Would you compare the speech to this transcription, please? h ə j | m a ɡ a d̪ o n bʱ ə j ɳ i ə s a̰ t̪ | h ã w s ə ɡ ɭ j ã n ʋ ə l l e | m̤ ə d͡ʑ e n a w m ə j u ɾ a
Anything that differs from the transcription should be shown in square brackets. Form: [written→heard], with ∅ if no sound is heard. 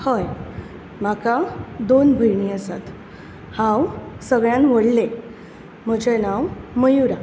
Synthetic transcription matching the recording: h ə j | m a [ɡ→k] a d̪ o n bʱ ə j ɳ i ə s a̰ t̪ | h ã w s ə ɡ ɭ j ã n ʋ ə [l→ɽ] l e | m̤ ə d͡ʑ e n a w m ə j u ɾ a